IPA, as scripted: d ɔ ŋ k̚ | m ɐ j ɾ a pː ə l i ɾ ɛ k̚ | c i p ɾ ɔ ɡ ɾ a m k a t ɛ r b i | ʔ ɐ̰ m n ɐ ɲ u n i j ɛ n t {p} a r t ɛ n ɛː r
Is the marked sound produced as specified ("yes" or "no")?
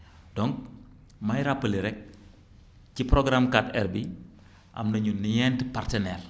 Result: yes